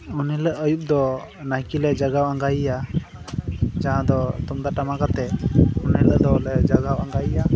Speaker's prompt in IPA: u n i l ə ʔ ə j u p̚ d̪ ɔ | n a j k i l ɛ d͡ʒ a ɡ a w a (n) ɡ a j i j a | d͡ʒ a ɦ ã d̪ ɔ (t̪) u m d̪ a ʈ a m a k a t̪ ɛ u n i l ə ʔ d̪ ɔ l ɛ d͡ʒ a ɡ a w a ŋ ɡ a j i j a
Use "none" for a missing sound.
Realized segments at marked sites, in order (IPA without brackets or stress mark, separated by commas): ŋ, t̪